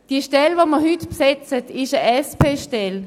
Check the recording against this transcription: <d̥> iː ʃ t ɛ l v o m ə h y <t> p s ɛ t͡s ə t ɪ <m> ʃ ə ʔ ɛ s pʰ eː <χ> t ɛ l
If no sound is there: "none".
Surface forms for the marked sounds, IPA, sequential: d̥, t, none, ʃ

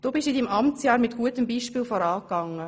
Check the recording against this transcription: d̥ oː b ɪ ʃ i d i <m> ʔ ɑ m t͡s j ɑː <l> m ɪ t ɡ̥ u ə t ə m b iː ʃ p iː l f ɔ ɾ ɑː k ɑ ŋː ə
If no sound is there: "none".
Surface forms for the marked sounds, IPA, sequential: m, ɾ

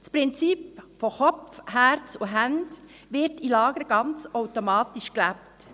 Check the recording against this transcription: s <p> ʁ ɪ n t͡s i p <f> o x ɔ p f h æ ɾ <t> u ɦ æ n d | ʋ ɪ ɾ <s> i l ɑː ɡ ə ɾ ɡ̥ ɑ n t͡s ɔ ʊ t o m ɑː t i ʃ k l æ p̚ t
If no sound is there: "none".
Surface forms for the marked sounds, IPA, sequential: p, f, t͡s, t

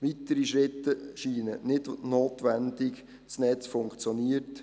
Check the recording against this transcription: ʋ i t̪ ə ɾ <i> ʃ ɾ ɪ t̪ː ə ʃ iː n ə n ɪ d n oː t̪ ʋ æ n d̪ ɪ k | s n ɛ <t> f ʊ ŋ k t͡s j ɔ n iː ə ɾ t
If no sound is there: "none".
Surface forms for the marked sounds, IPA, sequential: i, t͡s

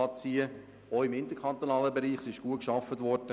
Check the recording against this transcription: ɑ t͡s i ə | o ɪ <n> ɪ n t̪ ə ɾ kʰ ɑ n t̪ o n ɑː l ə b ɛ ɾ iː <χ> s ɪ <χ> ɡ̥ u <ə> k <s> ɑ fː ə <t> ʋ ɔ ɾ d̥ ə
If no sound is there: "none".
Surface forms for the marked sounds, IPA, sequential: m, χ, ʃ, ə, ʃ, t

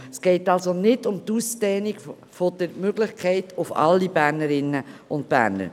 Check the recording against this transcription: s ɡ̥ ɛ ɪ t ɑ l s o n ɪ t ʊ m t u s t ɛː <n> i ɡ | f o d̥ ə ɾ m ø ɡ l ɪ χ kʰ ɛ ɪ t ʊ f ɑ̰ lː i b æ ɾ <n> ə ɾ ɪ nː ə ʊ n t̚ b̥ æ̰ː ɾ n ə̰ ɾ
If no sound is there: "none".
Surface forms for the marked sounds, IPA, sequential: n, n

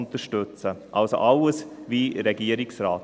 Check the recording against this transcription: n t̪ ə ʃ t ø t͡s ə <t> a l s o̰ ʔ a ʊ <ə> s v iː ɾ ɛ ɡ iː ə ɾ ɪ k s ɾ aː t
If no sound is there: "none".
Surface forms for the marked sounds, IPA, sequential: ʔ, ə

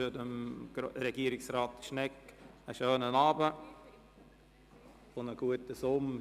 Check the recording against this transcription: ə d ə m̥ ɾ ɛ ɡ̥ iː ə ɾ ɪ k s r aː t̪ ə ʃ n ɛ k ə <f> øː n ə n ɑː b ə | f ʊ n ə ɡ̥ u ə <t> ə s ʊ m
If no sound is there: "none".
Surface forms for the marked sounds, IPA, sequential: ʃ, t

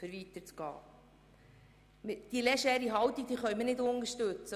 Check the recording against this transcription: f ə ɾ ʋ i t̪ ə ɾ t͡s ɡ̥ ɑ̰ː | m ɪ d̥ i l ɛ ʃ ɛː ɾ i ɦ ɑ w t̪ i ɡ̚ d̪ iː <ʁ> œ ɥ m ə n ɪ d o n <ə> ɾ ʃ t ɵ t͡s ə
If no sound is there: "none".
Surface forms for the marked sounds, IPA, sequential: χ, ə

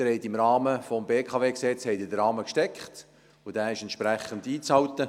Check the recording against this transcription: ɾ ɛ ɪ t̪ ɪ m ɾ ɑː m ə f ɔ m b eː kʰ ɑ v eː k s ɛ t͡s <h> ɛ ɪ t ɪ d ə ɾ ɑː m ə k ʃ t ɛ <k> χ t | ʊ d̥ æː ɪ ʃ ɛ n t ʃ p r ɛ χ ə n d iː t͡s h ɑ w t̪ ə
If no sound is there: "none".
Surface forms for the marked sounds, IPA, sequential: h, k

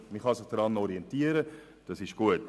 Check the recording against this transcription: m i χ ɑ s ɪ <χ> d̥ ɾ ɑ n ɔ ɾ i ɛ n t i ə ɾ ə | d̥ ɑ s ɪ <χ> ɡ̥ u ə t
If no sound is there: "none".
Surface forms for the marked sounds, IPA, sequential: χ, ʃ

